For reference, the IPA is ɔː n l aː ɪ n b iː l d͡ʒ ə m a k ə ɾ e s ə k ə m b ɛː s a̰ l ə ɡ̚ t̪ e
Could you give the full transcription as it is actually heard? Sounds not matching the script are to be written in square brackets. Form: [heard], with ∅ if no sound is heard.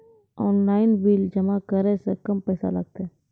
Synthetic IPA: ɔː n l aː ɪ n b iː l d͡ʒ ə m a k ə ɾ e s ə k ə m [p] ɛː s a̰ l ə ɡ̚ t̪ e